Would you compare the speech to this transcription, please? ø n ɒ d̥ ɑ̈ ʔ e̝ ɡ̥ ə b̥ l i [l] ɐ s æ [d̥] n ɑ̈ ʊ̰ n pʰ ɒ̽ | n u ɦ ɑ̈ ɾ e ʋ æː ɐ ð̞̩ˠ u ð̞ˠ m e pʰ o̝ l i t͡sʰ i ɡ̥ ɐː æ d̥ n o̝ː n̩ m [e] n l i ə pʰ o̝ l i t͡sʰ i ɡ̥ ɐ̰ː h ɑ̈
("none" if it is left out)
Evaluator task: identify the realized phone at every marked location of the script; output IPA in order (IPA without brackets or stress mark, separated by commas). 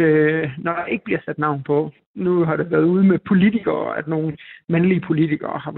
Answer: none, d̥, æ